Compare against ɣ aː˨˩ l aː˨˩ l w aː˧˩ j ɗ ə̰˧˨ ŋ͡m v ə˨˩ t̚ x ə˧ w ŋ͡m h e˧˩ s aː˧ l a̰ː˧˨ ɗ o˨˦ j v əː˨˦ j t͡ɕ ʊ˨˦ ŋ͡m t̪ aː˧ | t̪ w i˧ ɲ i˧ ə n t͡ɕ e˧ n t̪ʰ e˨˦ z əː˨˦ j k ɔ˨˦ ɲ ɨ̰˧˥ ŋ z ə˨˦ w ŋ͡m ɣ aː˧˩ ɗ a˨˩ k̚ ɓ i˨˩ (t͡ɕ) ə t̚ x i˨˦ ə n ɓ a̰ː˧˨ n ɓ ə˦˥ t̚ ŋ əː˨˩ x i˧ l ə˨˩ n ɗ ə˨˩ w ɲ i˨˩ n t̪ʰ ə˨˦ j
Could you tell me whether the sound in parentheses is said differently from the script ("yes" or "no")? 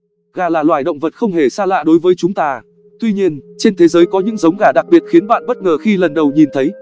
yes